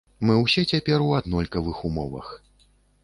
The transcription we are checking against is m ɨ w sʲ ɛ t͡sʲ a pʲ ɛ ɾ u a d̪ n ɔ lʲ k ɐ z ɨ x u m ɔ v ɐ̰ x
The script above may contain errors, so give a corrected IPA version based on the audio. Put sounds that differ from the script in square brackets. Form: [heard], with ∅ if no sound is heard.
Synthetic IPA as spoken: m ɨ w sʲ ɛ t͡sʲ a pʲ ɛ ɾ u a d̪ n ɔ lʲ k ɐ [v] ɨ x u m ɔ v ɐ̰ x